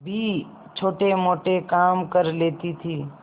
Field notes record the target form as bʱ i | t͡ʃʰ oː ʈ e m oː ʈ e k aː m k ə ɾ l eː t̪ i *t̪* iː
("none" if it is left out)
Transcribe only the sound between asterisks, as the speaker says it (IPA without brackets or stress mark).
t̪ʰ